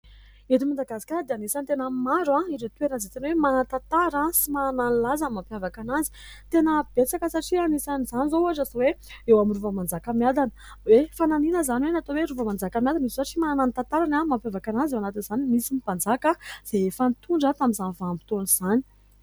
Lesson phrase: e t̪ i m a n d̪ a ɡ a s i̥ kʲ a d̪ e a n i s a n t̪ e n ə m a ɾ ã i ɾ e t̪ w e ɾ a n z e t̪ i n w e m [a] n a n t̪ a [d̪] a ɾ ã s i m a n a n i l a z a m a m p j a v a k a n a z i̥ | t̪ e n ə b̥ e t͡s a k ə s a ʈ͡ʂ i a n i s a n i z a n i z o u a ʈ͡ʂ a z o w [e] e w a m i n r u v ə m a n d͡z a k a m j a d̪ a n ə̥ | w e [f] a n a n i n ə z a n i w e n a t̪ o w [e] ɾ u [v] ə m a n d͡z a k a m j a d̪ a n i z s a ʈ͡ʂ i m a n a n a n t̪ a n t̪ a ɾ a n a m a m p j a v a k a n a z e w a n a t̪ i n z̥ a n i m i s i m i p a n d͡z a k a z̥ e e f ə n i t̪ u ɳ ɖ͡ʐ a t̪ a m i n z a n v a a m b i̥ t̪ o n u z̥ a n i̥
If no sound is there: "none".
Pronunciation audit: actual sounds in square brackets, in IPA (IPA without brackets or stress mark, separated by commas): a, t̪, e, f, e, v